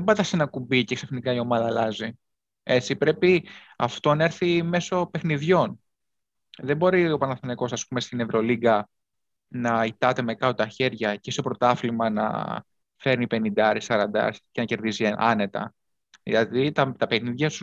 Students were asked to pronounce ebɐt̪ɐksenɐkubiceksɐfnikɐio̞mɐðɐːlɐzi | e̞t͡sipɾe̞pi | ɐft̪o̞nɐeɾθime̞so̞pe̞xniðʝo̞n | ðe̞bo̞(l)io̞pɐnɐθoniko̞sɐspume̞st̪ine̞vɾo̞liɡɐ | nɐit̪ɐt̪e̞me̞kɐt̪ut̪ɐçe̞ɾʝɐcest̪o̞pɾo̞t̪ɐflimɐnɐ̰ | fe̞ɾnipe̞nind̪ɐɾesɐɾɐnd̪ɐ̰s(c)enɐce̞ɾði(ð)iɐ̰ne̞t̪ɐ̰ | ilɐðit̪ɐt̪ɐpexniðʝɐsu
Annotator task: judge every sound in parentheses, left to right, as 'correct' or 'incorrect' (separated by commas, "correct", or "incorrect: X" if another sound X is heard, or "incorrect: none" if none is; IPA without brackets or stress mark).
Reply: incorrect: ɾ, correct, incorrect: z